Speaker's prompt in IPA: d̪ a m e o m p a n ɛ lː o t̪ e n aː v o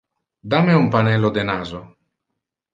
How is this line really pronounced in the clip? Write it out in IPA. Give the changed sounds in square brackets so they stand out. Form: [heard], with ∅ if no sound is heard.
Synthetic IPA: d̪ a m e [u] m p a n ɛ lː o [d̪] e n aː [z] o